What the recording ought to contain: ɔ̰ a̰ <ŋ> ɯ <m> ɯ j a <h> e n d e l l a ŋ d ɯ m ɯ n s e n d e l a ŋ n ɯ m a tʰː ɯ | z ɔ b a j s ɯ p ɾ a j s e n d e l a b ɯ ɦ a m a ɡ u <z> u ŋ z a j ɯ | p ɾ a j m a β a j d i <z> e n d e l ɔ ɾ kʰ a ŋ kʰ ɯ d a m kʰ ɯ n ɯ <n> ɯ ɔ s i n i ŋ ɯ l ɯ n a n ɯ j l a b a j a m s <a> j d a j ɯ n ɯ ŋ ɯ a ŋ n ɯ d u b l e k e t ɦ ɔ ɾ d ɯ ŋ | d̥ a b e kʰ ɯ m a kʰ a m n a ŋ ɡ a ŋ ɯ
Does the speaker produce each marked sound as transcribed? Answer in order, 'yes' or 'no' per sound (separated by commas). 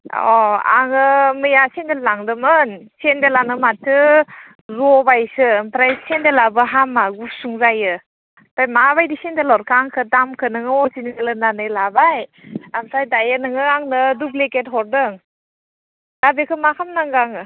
yes, yes, no, no, no, no, yes